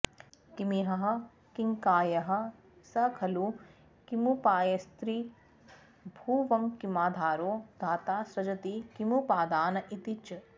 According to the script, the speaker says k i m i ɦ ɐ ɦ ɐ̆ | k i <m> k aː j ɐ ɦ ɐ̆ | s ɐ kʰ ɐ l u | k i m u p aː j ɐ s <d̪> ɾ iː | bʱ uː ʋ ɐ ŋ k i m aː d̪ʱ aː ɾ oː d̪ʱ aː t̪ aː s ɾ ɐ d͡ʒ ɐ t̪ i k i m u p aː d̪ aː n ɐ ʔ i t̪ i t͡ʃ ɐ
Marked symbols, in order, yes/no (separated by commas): no, no